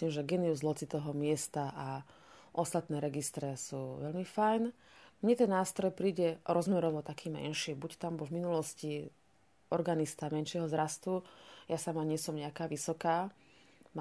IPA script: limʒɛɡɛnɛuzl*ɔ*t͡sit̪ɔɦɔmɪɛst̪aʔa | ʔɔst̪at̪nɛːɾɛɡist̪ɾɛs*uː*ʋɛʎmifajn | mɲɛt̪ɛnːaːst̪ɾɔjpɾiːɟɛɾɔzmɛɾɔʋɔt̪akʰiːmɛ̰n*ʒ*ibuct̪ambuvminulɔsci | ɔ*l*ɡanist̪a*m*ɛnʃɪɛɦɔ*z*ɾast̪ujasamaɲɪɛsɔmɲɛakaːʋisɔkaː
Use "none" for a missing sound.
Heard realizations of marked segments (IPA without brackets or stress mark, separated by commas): ɔ, uː, ʃ, ɾ, m, z